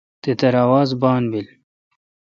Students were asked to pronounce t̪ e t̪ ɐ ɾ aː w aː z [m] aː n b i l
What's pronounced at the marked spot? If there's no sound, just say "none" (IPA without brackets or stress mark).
b